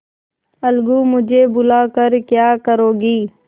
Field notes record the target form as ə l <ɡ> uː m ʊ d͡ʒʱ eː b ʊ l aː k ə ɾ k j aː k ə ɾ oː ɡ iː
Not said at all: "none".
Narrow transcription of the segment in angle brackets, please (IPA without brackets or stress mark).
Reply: ɡ